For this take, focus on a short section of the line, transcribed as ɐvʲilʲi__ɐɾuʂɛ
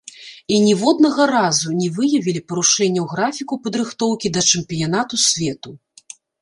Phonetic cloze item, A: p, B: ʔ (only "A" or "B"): A